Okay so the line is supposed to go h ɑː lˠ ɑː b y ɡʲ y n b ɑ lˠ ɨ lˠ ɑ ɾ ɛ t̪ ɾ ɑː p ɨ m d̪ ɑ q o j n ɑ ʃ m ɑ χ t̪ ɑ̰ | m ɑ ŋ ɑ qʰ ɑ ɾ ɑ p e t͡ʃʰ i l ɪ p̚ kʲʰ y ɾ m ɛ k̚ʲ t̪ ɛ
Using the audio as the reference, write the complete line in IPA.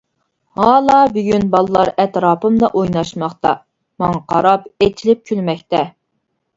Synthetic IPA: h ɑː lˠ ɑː b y ɡʲ y n b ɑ lˠ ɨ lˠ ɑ ɾ ɛ t̪ ɾ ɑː p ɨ m d̪ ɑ ʔ o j n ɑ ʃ m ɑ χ t̪ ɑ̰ | m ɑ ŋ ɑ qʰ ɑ ɾ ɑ p e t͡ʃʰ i l ɪ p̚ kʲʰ y l m ɛ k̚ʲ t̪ ɛ